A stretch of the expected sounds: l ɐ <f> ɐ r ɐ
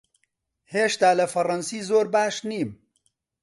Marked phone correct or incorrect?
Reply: correct